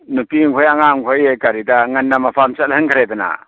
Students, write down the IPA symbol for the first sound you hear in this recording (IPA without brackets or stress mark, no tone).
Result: n